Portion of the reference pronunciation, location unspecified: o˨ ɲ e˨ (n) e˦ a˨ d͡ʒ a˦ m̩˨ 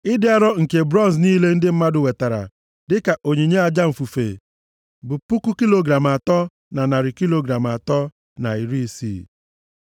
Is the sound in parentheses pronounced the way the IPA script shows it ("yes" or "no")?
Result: no